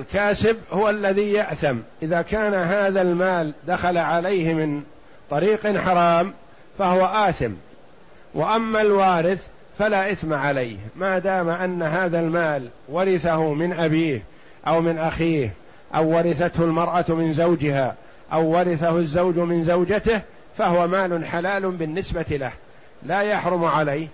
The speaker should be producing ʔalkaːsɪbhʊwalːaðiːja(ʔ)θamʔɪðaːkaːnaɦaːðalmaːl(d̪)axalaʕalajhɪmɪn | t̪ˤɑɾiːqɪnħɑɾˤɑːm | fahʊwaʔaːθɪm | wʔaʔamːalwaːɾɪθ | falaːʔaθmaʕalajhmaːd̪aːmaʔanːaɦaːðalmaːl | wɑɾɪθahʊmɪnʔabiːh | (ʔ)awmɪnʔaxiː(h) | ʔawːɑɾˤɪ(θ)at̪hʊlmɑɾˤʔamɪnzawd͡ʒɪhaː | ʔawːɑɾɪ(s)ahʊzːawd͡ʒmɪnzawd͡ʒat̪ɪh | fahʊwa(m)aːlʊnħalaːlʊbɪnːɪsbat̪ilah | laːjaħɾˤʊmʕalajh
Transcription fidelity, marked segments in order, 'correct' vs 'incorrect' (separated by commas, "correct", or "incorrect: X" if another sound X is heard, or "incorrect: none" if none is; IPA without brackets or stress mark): correct, correct, correct, correct, correct, incorrect: θ, correct